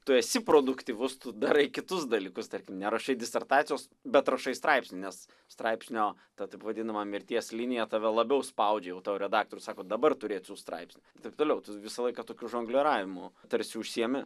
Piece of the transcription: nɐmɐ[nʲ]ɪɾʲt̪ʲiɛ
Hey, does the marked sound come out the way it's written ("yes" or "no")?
no